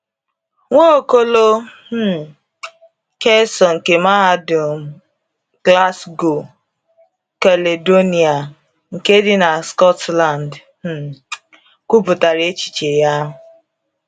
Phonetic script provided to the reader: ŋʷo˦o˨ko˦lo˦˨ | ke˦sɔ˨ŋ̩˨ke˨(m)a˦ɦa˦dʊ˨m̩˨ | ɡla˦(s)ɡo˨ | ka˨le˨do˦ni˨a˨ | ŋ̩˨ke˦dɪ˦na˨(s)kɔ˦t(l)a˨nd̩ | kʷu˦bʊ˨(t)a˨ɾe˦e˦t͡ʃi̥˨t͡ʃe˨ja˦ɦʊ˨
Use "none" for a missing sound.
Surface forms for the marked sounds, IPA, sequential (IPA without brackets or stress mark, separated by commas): m, s, s, l, t